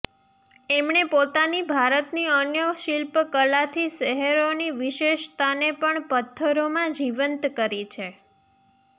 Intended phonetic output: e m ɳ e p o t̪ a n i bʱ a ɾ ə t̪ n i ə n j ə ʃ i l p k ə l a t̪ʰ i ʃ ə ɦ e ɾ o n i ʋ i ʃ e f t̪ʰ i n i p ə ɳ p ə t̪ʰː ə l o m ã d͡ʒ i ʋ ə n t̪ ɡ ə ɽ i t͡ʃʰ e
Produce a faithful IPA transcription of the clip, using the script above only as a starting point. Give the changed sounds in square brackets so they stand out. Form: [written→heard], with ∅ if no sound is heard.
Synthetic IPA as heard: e m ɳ e p o t̪ a n i bʱ a ɾ ə t̪ n i ə n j ə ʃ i l p k ə l a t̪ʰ i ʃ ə ɦ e ɾ o n i ʋ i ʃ e [f→ʃ] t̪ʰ [i→a] n [i→e] p ə ɳ p ə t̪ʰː ə [l→ɾ] o m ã d͡ʒ i ʋ ə n t̪ [ɡ→k] ə [ɽ→ɾ] i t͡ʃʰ e